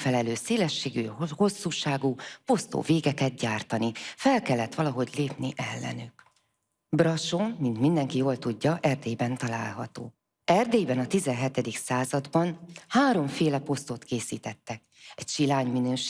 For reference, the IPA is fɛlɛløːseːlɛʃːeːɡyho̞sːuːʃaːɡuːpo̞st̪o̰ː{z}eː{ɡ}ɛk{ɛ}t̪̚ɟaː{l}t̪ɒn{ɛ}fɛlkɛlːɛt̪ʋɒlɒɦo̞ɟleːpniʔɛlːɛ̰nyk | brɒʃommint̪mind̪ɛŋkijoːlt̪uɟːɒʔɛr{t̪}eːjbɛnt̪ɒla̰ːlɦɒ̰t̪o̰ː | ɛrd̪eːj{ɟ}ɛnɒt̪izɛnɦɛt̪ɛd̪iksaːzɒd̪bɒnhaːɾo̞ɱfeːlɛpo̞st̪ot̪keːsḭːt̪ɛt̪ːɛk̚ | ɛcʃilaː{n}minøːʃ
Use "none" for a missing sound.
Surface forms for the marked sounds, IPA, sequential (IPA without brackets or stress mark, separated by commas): v, ɡ, ɛ, r, i, d̪, b, ɲ